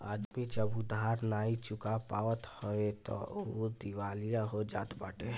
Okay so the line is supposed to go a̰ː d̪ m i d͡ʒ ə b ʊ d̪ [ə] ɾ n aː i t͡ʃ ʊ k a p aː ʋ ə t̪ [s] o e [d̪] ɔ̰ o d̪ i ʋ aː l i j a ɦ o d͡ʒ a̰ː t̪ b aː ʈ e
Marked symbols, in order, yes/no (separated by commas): no, no, no